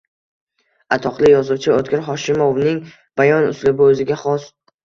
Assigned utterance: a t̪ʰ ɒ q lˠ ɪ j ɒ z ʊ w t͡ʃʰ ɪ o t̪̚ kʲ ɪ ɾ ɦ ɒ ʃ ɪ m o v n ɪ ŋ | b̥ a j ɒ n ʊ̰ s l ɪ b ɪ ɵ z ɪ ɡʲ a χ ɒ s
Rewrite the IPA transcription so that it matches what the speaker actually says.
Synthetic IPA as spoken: a t̪ʰ ɒ q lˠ ɪ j ɒ z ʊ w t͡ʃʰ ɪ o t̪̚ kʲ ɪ ɾ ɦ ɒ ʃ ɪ m o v n ɪ ŋ | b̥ a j ɒ n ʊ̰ s l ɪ b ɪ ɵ z ɪ ɡʲ a χ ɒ s